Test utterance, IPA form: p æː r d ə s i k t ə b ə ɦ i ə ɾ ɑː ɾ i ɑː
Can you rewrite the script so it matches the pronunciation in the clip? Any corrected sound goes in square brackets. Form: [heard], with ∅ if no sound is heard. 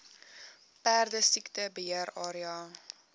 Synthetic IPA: p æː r d ə s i k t ə b ə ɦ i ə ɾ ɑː ɾ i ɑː

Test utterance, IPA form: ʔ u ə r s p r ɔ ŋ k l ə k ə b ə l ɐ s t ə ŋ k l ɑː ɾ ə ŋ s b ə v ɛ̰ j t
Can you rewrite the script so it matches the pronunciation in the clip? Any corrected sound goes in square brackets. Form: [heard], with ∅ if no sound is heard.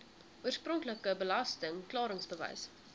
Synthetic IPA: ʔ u ə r s p r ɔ ŋ k l ə k ə b ə l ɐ s t ə ŋ k l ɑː ɾ ə ŋ s b ə v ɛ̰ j [s]

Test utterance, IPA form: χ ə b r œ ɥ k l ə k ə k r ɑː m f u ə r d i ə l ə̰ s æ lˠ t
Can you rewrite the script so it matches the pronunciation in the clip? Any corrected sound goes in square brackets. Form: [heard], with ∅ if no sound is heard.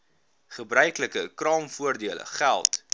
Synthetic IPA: χ ə b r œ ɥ k l ə k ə k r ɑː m f u ə r d i ə l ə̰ [χ] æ lˠ t

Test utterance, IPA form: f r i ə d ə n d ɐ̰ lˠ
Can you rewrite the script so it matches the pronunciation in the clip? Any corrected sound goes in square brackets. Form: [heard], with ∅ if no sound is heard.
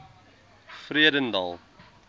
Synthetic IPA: f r i ə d ə n d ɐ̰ lˠ

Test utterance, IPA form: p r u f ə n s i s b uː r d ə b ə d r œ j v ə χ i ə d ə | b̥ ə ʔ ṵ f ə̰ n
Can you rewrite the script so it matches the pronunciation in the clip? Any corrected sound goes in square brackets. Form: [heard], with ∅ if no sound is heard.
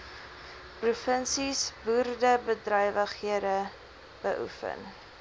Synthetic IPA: p r u f ə n s i s b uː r d ə b ə d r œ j v ə χ i ə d ə | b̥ ə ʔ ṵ f ə̰ n

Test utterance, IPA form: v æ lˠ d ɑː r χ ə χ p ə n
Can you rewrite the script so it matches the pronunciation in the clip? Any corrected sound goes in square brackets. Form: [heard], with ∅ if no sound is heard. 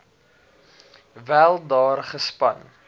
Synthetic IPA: v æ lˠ d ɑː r χ ə [s] p [ɐ] n

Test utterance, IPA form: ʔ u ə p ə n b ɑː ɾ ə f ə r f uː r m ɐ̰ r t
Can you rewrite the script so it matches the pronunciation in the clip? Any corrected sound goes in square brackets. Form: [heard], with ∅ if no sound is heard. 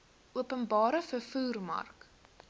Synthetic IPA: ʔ u ə p ə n b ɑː ɾ ə f ə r f uː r m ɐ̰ r [k]

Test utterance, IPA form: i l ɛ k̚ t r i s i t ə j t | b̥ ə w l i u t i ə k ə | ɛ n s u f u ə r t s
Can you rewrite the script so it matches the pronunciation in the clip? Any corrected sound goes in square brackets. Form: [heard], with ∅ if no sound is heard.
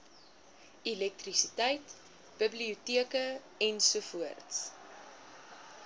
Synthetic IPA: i l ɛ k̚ t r i s i t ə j t | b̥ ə [b] l i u t i ə k ə | ɛ n s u f u ə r t s

